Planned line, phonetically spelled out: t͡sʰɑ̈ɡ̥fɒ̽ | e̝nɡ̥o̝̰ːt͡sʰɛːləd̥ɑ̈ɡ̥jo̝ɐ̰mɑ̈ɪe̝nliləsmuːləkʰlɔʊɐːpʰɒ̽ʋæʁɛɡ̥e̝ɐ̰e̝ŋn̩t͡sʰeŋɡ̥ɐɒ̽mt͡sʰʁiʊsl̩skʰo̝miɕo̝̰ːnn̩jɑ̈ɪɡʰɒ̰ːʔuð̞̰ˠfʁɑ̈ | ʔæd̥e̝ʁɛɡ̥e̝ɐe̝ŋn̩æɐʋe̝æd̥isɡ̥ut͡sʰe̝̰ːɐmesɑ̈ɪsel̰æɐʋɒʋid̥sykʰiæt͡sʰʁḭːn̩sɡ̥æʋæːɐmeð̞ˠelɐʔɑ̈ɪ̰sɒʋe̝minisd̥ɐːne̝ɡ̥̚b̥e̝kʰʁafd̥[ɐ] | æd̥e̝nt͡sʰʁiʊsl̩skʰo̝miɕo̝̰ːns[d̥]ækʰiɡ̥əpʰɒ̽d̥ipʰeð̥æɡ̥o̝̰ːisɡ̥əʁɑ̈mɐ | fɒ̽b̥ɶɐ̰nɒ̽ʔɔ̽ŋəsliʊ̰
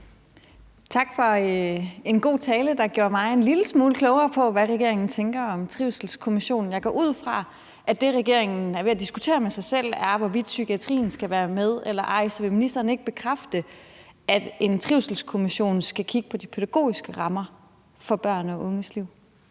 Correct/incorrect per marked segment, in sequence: incorrect: ə, incorrect: ɡ̥

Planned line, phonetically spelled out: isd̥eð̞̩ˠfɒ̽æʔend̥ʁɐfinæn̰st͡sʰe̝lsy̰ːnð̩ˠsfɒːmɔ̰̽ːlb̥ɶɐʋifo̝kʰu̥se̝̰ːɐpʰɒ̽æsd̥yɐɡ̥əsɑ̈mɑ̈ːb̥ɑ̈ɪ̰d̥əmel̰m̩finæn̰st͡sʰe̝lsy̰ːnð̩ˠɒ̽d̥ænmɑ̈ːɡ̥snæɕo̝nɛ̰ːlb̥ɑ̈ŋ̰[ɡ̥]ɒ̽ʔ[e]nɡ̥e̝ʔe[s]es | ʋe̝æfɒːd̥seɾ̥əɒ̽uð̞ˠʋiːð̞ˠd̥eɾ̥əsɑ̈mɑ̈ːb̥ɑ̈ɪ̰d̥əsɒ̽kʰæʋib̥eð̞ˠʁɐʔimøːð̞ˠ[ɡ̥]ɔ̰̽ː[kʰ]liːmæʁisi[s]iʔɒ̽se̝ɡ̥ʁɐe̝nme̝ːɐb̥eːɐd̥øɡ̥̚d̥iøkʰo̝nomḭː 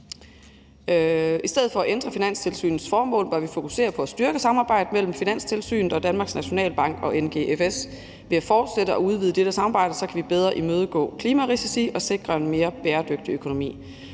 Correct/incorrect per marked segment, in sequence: correct, correct, incorrect: f, correct, correct, correct

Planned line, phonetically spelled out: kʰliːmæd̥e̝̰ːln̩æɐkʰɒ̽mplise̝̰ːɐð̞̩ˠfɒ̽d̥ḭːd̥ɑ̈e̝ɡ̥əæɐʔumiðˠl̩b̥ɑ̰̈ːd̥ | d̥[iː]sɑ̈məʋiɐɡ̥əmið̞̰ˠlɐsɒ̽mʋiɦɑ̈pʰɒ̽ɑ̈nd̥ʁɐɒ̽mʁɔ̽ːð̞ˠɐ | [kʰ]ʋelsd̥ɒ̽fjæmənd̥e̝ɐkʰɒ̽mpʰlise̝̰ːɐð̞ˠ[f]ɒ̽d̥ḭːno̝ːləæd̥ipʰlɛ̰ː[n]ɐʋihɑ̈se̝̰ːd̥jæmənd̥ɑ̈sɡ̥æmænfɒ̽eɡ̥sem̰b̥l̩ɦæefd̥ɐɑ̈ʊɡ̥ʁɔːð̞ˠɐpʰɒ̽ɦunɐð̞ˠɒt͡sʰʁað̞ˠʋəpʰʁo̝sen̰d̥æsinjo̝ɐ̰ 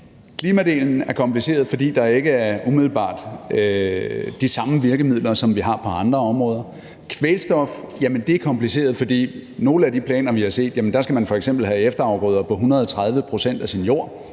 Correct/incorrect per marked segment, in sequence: incorrect: i, correct, correct, correct

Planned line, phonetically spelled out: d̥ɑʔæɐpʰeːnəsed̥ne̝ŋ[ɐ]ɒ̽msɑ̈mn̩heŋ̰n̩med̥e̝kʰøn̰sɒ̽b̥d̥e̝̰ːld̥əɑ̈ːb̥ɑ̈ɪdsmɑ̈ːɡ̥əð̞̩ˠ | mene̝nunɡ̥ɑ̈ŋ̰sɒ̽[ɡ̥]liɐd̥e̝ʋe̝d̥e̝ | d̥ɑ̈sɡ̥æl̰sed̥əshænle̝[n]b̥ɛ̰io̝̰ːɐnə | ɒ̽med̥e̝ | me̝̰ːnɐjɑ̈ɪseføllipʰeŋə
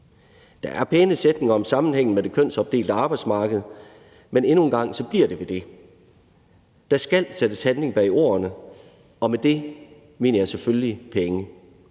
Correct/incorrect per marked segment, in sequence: correct, incorrect: b̥, incorrect: ŋ

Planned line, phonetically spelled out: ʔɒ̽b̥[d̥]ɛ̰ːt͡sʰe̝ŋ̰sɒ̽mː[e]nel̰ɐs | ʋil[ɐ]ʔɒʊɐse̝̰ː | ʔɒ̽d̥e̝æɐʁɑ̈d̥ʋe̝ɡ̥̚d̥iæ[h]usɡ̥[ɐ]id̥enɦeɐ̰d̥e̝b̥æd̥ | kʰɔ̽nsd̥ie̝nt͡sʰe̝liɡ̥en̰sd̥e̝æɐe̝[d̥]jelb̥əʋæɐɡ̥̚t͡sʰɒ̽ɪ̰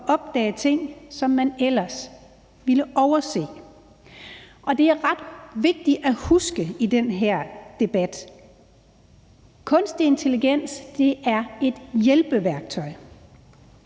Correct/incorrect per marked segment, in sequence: correct, incorrect: æ, incorrect: ə, correct, incorrect: ə, correct

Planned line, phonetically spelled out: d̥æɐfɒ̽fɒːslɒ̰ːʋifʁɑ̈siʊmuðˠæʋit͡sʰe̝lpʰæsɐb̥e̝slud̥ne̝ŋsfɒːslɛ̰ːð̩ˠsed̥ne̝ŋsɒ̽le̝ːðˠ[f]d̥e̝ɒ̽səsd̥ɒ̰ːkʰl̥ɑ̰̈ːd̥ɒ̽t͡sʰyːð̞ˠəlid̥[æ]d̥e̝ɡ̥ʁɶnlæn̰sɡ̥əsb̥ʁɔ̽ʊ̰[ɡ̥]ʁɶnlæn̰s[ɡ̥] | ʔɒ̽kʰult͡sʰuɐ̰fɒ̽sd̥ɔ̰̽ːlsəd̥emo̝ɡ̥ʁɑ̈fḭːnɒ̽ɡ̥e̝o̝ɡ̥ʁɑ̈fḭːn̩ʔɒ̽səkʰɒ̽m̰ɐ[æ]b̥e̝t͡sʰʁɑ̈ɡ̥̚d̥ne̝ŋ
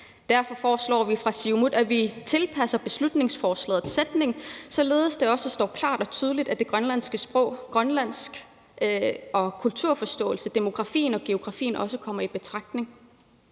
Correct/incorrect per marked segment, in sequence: incorrect: s, correct, correct, correct, incorrect: i

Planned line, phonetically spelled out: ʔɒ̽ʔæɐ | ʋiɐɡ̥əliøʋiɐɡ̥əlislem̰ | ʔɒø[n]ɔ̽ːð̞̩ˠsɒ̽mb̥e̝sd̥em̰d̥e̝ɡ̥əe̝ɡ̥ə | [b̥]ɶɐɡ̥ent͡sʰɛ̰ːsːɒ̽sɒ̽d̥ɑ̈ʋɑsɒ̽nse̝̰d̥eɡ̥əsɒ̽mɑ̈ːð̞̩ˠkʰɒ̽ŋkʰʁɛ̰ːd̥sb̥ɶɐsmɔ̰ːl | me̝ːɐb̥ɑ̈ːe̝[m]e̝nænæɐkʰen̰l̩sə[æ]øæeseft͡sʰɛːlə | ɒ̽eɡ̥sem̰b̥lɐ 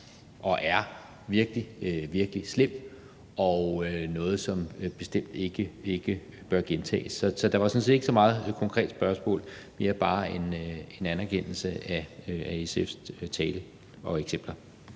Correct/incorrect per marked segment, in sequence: correct, correct, incorrect: n, correct

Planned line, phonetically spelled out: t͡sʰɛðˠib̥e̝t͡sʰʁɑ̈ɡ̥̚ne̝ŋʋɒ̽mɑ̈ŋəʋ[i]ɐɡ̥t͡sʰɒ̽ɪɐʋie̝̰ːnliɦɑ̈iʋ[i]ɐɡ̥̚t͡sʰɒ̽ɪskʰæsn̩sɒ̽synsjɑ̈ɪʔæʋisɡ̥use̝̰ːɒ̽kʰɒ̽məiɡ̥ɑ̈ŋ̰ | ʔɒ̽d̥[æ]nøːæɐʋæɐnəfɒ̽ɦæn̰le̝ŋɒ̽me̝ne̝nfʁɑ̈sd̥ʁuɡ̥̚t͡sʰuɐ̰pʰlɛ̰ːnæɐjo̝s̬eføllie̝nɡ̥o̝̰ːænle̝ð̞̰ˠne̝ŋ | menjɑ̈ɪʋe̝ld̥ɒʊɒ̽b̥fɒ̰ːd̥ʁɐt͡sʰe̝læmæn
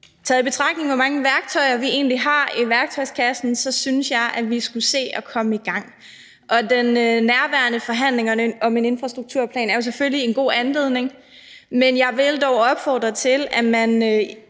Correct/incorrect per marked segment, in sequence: incorrect: æ, incorrect: æ, incorrect: e

